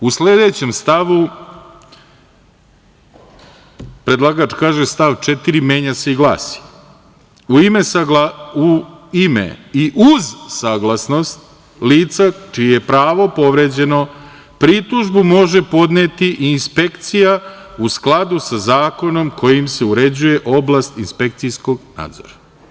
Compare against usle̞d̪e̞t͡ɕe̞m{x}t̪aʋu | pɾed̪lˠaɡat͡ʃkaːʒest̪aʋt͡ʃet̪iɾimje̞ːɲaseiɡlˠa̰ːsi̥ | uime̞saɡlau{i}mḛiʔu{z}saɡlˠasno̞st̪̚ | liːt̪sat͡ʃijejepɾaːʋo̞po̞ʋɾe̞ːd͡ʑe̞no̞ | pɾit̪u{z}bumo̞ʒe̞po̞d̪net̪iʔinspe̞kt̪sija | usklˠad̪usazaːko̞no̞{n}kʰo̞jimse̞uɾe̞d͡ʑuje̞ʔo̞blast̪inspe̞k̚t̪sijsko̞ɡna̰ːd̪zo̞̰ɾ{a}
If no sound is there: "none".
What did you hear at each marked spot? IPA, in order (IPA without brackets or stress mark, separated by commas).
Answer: s, i, z, ʒ, m, a